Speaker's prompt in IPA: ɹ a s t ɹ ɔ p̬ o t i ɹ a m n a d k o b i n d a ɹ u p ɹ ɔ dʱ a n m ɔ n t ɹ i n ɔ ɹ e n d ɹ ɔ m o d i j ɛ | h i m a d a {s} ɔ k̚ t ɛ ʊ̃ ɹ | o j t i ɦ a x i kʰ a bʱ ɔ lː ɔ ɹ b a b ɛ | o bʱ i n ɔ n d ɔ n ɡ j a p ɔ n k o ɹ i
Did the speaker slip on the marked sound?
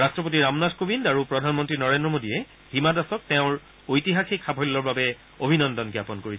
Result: no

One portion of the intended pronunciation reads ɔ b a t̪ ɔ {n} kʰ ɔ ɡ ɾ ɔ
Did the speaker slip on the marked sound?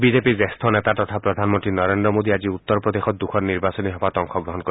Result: yes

